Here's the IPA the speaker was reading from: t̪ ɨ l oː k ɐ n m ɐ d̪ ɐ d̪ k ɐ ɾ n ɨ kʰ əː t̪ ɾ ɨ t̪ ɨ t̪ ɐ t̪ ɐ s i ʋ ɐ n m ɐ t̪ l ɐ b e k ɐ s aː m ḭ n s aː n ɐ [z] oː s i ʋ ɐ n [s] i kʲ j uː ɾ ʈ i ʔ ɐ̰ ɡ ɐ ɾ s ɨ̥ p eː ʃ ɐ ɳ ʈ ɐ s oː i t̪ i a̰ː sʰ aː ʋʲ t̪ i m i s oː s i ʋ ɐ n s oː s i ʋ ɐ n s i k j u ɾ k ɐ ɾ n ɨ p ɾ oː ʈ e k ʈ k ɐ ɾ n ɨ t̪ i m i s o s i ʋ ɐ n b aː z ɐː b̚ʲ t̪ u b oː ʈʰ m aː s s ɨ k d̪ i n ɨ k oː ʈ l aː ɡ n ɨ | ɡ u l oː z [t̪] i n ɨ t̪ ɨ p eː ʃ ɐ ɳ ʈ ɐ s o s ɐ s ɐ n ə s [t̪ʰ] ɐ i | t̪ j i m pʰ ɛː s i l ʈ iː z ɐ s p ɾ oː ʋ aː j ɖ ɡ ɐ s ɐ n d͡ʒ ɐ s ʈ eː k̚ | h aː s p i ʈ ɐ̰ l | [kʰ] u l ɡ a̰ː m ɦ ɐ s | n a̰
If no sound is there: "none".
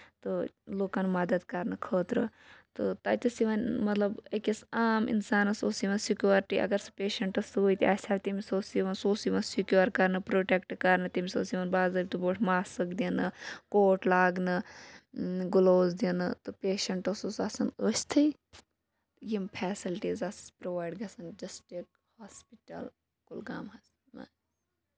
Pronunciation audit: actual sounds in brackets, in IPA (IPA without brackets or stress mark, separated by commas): s, s, d̪, t̪ʰ, k